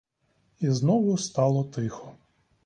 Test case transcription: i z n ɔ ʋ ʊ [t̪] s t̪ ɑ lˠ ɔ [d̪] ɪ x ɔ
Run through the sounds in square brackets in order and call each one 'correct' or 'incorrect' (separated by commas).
incorrect, incorrect